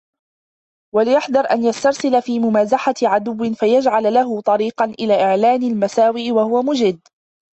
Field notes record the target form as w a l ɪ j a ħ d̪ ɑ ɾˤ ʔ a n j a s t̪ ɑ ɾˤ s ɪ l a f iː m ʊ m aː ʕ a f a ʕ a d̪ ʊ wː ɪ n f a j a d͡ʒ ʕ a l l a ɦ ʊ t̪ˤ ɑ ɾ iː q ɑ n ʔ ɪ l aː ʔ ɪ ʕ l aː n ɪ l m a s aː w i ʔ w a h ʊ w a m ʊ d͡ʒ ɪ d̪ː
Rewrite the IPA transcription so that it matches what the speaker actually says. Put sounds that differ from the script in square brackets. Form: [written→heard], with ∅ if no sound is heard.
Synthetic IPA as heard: w a l ɪ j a ħ d̪ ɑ ɾˤ ʔ a n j a s t̪ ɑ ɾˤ s ɪ l a f iː m ʊ m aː [ʕ→z] a [f→ħ] a ʕ a d̪ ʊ wː ɪ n f a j a d͡ʒ ʕ a l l a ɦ ʊ t̪ˤ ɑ ɾ iː q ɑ n ʔ ɪ l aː ʔ ɪ ʕ l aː n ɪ l m a s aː w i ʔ w a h ʊ w a m ʊ d͡ʒ ɪ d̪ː